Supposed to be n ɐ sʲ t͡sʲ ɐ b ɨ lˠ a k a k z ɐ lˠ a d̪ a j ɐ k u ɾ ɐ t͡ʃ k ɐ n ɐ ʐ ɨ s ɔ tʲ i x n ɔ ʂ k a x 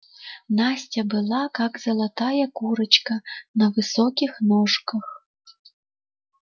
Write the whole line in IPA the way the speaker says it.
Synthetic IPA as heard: n a sʲ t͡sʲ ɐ b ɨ lˠ a k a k z ɐ lˠ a t̪ a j ɐ k u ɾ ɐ t͡ʃ k ɐ n ɐ v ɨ s ɔ kʲ i x n ɔ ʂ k ɐ x